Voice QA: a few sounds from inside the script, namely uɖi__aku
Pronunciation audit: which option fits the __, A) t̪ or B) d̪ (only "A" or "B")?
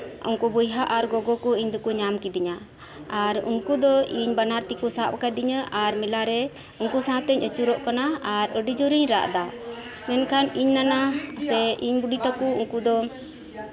A